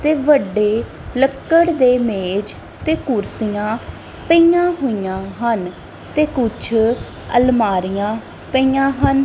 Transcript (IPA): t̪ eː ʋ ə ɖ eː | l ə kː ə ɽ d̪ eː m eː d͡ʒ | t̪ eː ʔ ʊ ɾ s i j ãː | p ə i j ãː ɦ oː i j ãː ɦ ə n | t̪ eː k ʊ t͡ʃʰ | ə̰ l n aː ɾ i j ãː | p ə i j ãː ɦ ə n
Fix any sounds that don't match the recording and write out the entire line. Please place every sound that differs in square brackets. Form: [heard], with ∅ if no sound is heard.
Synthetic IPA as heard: t̪ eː ʋ ə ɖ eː | l ə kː ə ɽ d̪ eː m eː d͡ʒ | t̪ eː [k] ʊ ɾ s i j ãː | p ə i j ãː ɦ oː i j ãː ɦ ə n | t̪ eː k ʊ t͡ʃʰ | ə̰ l [m] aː ɾ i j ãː | p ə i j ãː ɦ ə n